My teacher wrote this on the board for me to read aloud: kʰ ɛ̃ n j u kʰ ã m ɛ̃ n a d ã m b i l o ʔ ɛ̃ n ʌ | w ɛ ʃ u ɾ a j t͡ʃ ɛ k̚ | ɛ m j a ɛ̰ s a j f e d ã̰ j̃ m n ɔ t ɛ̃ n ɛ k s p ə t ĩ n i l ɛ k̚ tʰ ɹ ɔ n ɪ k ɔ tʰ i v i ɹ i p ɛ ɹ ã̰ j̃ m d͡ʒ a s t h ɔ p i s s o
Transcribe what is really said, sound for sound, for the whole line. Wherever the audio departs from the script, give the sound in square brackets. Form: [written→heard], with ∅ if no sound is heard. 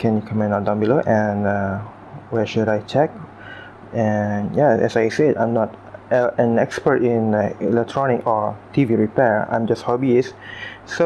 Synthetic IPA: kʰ ɛ̃ n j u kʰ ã m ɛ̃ n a d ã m b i l o ʔ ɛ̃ n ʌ | w ɛ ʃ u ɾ a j t͡ʃ ɛ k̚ | ɛ [m→n] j a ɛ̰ s a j [f→s] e d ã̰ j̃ m n ɔ t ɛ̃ n ɛ k s p ə t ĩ n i l ɛ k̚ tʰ ɹ ɔ n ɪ k ɔ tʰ i v i ɹ i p ɛ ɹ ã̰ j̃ m d͡ʒ a s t h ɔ [p→b] i s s o